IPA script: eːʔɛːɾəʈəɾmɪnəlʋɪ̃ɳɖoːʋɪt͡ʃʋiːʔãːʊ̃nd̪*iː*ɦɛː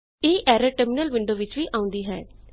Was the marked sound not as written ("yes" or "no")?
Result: no